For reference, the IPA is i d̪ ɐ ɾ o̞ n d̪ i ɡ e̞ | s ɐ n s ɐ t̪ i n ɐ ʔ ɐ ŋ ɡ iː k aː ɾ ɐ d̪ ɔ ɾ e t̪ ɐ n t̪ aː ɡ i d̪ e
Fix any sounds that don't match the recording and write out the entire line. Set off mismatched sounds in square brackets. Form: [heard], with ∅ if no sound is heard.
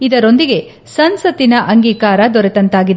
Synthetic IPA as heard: i d̪ ɐ ɾ o̞ n d̪ i ɡ e̞ | s ɐ n s ɐ t̪ i n ɐ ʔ ɐ ŋ ɡ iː k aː ɾ ɐ d̪ ɔ ɾ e t̪ ɐ n t̪ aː ɡ i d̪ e